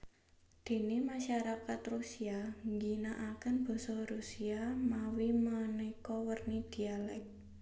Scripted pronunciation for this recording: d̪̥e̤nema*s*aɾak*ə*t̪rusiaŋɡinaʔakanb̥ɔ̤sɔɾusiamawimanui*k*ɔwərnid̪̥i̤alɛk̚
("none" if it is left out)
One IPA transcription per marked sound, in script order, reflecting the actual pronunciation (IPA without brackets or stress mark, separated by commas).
ʃ, a, k